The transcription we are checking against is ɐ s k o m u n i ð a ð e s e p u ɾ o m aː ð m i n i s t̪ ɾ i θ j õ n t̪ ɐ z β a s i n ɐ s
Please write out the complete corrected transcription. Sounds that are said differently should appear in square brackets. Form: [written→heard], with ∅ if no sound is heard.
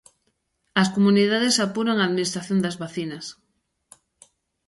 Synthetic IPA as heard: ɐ s k o m u n i ð a ð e s [e→a] p u ɾ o [m→ŋ] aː ð m i n i s t̪ ɾ [i→a] θ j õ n [t̪→d̪] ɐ z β a [s→θ] i n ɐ s